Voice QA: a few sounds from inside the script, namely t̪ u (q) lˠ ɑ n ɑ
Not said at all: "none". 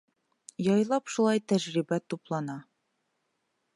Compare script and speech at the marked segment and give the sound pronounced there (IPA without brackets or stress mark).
p